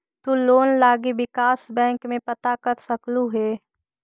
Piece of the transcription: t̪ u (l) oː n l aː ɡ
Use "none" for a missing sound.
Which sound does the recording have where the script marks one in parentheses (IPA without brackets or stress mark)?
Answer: l